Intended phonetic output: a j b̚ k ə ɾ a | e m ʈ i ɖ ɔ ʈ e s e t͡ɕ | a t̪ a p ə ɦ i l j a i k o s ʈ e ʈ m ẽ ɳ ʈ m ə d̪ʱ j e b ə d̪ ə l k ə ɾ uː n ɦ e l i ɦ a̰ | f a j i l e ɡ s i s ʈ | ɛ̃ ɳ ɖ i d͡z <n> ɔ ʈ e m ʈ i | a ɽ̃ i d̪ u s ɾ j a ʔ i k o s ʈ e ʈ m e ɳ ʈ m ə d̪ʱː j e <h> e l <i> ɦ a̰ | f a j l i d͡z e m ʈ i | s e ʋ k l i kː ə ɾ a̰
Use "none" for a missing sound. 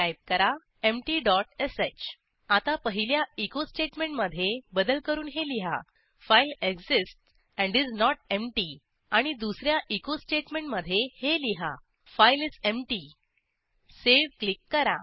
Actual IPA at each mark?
n, h, i

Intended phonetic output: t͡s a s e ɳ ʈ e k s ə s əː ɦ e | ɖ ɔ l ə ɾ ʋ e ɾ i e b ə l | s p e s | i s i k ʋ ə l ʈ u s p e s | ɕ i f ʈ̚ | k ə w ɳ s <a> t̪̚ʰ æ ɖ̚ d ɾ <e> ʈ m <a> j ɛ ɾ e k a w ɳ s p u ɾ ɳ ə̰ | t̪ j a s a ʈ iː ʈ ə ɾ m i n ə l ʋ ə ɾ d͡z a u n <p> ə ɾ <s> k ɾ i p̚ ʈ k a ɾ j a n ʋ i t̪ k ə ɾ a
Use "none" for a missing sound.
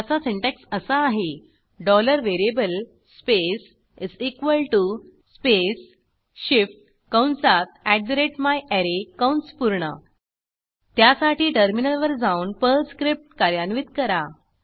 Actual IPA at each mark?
a, e, a, p, s

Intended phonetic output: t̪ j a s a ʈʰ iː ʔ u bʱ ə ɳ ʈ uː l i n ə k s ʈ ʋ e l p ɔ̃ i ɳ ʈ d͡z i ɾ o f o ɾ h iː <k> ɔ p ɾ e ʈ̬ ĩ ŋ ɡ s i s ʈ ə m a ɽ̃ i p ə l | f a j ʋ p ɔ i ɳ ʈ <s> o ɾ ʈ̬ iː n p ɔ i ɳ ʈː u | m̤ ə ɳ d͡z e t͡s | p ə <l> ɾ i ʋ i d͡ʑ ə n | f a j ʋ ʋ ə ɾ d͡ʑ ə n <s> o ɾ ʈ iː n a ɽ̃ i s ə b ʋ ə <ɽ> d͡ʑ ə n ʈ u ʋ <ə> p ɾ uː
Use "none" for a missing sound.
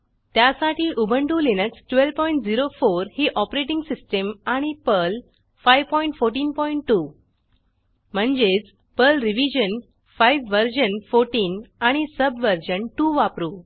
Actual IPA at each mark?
ʔ, f, l, f, ɾ, a

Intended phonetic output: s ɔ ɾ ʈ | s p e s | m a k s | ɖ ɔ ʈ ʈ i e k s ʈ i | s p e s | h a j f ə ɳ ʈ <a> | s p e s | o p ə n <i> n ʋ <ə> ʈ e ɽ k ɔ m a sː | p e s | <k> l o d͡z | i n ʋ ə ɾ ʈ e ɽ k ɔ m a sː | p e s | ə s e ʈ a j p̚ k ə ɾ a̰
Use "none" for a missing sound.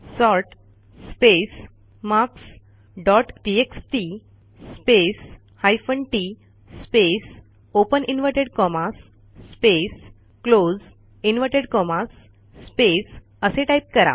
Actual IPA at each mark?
i, i, ə, k

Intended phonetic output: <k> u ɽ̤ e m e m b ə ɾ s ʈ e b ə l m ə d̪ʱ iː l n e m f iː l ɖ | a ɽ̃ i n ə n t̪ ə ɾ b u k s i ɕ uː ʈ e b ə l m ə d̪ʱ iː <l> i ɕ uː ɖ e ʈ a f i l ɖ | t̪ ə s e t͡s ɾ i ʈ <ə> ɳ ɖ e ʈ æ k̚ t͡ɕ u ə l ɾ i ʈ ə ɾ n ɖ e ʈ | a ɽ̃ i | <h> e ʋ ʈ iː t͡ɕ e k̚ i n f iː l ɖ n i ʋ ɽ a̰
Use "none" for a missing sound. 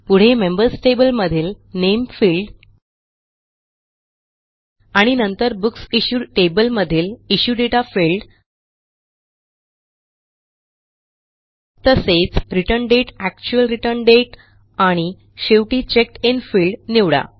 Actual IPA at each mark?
p, l, ə, ɕ

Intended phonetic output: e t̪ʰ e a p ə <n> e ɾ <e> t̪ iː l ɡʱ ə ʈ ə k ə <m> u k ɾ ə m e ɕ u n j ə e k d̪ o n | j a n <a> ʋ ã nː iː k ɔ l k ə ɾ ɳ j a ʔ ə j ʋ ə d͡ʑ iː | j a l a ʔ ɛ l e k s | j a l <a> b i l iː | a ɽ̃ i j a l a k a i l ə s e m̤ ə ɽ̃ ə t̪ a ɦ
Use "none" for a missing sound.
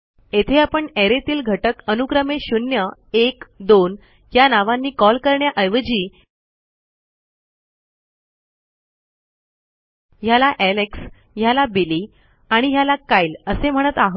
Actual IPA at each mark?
ɳ, e, n, a, a

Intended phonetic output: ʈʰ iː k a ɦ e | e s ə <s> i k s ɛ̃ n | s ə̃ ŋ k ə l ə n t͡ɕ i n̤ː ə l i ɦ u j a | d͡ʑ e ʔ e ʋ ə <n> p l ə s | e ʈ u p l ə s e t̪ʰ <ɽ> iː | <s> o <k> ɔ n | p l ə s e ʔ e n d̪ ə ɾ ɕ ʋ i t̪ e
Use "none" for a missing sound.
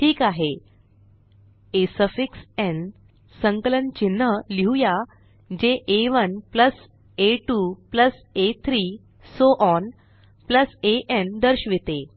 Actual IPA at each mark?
f, n, ɾ, s, ʔ

